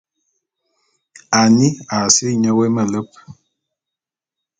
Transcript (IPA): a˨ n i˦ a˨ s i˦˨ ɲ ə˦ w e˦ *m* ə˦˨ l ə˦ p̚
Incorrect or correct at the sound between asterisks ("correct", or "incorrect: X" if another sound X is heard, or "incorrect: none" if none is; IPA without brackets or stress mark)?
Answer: correct